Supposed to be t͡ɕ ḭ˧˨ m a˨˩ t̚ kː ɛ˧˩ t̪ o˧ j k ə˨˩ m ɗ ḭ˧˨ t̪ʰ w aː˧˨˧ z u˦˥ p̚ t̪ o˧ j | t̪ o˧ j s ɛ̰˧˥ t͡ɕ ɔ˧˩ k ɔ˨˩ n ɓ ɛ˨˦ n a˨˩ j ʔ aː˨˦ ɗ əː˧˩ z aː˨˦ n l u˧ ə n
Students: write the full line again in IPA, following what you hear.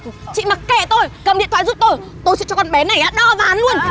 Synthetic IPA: t͡ɕ ḭ˧˨ m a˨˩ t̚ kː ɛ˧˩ t̪ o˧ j k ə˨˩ m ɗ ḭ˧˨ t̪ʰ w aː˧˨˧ z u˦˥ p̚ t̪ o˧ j | t̪ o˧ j s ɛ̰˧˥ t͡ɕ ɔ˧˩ k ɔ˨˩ n ɓ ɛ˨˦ n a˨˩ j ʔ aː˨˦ ɗ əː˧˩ v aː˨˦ n l u˧ ə n